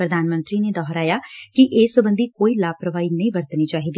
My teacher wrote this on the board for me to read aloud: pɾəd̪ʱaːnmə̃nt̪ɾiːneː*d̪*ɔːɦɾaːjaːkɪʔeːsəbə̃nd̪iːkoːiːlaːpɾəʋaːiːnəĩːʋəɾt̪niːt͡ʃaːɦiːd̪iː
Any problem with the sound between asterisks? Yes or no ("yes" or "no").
no